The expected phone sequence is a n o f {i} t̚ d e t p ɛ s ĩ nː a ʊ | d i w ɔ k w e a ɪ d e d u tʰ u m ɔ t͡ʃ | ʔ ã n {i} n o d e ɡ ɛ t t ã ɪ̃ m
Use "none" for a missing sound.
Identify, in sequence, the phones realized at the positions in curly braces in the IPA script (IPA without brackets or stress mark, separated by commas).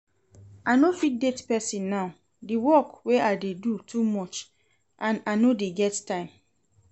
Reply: i, a